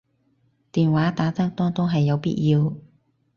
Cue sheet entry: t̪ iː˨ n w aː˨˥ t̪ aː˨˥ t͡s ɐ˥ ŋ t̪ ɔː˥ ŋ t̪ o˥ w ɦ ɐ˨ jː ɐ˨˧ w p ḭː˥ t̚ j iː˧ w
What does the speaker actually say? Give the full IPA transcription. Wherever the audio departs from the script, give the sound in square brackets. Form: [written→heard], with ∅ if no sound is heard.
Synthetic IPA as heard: t̪ iː˨ n w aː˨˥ t̪ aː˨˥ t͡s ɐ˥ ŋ t̪ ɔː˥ ŋ t̪ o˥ w ɦ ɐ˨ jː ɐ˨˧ w p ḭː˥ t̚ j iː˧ w